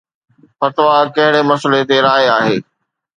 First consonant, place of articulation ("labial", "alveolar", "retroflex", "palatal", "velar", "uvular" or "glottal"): labial